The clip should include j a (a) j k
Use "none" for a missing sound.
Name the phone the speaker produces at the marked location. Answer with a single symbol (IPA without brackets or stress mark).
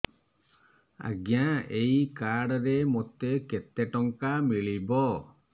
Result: e